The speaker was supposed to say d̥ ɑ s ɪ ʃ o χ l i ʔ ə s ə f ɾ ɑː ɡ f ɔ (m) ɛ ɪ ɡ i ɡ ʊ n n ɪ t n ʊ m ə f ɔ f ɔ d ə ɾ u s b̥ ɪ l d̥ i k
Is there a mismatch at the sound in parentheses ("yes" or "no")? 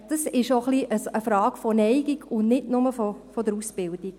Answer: yes